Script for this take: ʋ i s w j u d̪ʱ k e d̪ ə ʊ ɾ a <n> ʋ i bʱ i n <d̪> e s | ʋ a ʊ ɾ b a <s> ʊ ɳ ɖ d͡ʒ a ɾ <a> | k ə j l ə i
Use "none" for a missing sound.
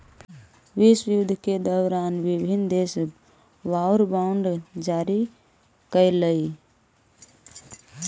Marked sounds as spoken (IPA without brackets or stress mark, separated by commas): n, d̪, none, i